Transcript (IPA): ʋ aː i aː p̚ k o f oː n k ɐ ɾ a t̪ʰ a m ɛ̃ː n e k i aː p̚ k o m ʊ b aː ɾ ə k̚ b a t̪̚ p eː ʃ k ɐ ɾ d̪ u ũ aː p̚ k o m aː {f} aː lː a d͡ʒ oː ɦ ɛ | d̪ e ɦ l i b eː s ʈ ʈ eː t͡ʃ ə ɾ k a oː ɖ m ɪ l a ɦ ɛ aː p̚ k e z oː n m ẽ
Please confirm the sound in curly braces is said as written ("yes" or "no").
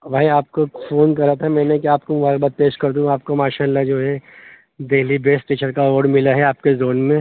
no